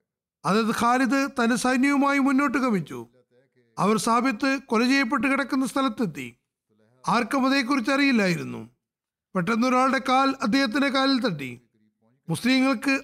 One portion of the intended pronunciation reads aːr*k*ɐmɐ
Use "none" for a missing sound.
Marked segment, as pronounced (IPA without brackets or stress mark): k